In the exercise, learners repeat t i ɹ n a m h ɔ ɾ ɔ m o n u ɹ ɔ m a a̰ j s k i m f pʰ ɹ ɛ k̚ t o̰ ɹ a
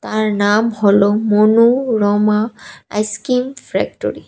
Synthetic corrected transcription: t a ɹ n a m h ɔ l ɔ m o n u ɹ ɔ m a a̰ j s k i m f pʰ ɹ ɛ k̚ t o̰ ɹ i